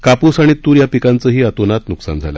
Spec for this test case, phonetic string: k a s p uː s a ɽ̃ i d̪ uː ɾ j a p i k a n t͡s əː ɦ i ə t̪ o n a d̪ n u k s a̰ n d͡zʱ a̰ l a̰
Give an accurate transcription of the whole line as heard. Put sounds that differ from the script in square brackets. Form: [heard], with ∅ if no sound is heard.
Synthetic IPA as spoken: k a [∅] p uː s a ɽ̃ i [t̪] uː ɾ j a p i k a n t͡s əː ɦ [iː] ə t̪ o n a [t̪] n u k s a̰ n d͡zʱ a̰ l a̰